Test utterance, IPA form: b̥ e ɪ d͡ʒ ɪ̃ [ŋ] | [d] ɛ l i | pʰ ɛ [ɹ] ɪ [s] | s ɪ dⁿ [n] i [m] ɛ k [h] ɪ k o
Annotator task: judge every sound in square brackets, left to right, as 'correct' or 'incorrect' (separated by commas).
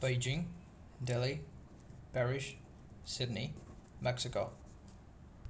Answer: correct, correct, correct, incorrect, correct, correct, incorrect